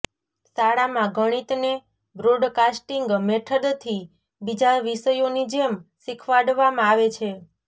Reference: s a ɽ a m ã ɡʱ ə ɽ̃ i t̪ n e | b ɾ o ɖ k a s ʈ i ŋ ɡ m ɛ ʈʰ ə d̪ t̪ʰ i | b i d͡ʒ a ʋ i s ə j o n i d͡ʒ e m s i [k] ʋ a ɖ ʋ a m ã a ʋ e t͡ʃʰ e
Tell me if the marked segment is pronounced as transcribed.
no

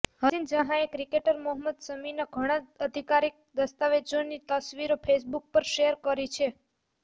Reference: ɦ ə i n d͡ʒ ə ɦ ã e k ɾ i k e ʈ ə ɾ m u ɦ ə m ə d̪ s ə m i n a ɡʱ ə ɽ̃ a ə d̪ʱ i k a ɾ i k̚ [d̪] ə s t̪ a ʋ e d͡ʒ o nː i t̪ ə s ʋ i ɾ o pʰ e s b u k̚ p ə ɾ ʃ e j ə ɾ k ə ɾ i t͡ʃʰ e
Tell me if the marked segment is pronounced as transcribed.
yes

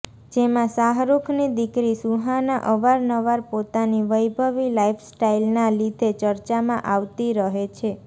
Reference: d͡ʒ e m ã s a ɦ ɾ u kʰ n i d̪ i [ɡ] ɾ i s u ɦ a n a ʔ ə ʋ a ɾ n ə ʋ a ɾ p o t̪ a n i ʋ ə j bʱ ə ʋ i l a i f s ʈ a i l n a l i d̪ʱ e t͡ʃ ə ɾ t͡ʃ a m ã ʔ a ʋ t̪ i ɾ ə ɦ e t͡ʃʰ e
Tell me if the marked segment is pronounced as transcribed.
no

